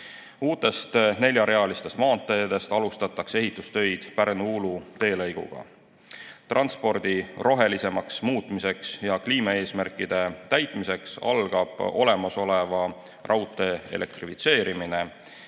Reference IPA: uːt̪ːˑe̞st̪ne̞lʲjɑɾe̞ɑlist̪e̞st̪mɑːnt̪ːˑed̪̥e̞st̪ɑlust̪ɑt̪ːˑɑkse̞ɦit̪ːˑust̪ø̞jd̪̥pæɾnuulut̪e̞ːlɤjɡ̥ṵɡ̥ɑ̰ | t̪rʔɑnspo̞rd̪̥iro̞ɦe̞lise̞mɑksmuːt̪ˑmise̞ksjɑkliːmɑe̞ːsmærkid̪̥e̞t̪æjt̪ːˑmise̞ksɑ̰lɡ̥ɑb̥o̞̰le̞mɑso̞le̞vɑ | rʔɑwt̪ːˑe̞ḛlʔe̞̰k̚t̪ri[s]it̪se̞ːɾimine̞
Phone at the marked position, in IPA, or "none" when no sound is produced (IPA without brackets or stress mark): f